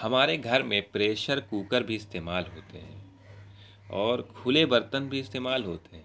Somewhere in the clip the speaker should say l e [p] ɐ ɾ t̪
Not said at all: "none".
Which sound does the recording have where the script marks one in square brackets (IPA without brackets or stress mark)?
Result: b